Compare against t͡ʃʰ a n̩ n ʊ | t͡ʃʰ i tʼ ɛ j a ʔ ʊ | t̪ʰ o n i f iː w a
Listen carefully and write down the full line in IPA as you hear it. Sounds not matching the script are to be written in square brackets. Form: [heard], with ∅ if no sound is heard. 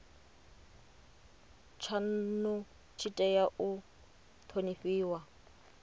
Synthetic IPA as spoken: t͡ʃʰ a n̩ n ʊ | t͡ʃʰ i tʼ ɛ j a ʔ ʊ | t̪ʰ o n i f iː w a